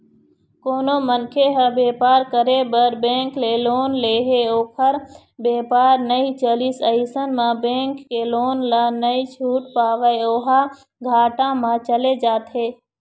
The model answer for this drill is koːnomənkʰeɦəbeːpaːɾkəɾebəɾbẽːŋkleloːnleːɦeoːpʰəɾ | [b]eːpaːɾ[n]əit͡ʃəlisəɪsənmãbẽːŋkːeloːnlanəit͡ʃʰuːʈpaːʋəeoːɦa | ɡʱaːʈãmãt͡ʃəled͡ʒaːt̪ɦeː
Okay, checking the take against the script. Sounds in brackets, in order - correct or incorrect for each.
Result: correct, correct

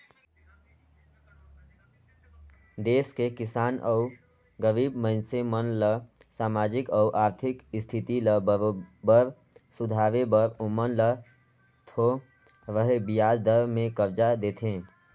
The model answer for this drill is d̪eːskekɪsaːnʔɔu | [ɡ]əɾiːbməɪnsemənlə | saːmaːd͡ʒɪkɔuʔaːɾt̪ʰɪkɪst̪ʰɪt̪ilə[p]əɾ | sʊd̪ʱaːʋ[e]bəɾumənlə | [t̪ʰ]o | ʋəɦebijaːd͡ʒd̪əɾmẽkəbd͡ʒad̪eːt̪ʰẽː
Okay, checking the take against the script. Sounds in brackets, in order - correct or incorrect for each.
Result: correct, incorrect: b, correct, correct

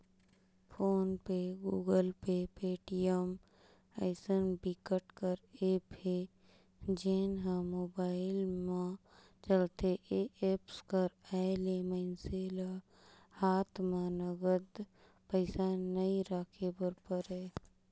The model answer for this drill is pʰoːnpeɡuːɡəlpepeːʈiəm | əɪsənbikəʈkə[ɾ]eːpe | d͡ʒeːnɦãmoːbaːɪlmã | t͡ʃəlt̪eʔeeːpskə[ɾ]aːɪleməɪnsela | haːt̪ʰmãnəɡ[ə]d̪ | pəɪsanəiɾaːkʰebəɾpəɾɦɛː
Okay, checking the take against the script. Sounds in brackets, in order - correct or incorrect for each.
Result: correct, correct, correct

